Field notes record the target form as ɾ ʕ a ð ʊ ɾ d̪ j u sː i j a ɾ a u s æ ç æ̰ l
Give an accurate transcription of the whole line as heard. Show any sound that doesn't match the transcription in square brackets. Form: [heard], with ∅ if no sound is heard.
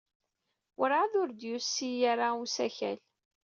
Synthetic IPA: ɾ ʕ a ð ʊ ɾ d̪ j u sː i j a ɾ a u s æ ç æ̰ l